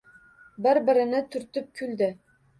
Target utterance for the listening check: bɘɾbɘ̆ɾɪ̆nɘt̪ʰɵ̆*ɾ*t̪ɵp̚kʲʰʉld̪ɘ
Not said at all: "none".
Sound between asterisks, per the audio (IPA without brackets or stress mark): ɾ